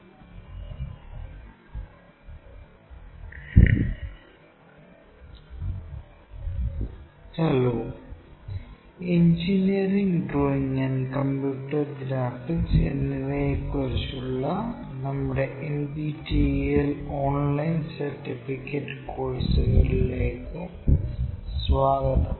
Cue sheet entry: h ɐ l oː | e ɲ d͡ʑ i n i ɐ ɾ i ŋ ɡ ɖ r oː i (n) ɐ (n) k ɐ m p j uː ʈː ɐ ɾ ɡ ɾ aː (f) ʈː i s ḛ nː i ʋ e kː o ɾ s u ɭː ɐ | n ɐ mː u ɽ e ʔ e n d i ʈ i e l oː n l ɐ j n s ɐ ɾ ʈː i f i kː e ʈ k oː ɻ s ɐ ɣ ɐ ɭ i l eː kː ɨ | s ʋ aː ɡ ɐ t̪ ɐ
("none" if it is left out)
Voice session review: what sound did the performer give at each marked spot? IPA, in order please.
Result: ŋ, n, f

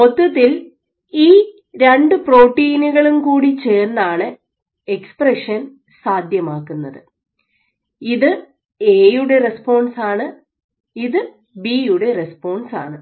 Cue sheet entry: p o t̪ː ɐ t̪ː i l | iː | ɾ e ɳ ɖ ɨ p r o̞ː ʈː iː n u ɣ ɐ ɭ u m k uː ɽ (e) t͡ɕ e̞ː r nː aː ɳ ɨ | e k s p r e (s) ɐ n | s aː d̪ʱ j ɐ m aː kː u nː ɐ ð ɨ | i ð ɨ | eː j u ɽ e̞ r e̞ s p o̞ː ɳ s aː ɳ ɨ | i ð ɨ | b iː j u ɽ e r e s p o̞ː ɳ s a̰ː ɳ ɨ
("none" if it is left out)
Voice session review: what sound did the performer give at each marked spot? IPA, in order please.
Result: i, ʂ

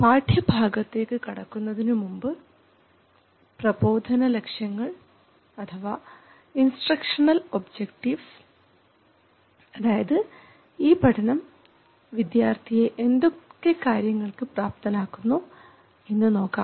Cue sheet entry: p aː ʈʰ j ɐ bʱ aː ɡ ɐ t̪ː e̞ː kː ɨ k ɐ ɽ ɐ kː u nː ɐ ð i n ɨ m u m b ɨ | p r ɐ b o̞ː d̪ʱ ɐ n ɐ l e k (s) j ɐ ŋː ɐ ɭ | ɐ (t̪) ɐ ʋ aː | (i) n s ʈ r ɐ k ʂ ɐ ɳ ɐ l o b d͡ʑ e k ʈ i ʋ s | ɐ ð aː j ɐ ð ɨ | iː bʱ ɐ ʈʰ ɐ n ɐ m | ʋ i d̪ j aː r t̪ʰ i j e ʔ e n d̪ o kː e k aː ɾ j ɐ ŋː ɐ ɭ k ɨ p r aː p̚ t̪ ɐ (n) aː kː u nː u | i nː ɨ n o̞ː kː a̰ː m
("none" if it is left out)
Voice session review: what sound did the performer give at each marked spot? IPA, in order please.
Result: ʂ, t̪ʰ, i, n

